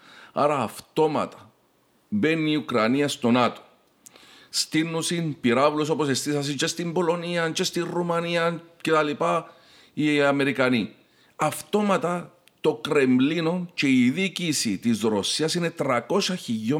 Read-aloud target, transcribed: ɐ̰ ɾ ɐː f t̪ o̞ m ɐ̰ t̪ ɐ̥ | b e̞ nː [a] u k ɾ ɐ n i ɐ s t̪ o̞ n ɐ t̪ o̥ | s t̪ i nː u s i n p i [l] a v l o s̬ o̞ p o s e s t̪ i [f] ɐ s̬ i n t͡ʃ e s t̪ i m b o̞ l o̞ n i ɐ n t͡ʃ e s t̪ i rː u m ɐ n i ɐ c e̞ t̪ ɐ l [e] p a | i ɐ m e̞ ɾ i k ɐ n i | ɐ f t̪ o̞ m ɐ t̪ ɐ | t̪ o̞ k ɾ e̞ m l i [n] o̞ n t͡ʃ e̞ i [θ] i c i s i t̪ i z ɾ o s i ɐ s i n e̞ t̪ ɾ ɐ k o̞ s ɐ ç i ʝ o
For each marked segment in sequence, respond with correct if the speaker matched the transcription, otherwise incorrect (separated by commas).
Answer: incorrect, incorrect, incorrect, incorrect, correct, incorrect